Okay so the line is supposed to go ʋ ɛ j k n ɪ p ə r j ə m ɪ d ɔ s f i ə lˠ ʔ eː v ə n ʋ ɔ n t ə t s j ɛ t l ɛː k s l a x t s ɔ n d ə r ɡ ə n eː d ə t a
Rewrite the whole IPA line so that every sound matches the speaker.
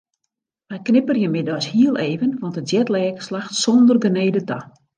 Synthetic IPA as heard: ʋ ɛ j k n ɪ p ə r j ə m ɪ d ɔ s h i ə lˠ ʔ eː v ə n ʋ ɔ n t ə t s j ɛ t l ɛː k s l a x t s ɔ n d ə r ɡ ə n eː d ə t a